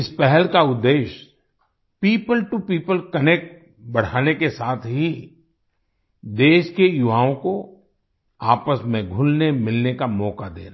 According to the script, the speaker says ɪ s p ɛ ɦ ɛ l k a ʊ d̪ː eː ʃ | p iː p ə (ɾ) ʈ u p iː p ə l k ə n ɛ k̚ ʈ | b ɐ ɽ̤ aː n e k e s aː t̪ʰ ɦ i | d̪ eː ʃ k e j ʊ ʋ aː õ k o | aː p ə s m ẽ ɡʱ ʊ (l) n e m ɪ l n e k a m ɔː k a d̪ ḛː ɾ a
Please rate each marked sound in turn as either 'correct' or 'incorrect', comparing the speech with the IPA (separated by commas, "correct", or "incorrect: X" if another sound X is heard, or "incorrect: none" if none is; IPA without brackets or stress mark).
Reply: incorrect: l, correct